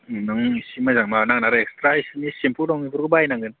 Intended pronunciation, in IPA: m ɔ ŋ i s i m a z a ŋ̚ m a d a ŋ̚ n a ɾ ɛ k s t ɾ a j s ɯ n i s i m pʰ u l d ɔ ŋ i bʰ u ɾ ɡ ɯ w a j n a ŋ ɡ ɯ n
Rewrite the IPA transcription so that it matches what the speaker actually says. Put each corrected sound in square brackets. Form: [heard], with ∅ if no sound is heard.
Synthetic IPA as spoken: [n] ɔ ŋ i s i m a z a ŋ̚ m a [n] a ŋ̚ n a ɾ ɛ k s t ɾ a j s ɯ n i s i m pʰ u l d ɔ ŋ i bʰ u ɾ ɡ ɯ [b] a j n a ŋ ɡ ɯ n